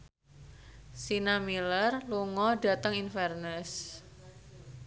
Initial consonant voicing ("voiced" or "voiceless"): voiceless